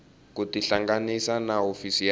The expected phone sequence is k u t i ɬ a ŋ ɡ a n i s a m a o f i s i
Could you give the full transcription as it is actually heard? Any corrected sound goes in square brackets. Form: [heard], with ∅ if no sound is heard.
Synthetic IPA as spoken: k u t i ɬ a ŋ ɡ a n i s a [n] a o f i s i